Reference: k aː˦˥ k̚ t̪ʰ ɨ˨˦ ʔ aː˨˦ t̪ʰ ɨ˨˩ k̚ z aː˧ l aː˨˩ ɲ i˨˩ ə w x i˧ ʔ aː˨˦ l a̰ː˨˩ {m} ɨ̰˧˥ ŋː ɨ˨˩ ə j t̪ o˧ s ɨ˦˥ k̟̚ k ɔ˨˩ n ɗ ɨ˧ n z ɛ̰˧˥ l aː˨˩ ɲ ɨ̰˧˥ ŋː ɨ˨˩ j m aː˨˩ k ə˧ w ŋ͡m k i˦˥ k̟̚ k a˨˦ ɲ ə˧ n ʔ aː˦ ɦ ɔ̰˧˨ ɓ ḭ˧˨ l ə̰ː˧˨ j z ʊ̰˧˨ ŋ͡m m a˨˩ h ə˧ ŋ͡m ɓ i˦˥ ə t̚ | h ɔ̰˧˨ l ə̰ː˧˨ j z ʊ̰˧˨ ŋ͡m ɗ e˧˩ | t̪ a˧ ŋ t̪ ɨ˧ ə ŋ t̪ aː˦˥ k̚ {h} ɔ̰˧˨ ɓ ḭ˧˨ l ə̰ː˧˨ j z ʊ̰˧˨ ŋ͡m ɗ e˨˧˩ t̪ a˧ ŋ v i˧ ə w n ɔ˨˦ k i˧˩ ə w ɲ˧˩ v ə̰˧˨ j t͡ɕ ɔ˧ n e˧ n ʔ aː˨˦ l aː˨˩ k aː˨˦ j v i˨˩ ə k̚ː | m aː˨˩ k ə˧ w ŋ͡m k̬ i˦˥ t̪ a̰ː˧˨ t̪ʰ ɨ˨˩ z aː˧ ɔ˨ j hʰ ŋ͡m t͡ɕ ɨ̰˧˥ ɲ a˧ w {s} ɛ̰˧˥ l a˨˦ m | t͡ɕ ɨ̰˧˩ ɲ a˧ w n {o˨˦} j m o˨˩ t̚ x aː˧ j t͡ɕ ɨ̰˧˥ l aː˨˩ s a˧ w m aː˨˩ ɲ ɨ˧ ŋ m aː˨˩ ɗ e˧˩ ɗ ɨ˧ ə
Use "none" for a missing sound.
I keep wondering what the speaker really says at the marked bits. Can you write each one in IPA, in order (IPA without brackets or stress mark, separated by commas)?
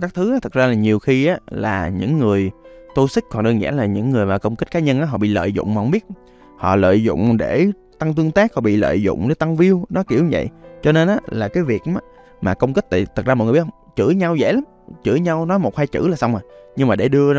ɲ, h, z, ɔ˨˦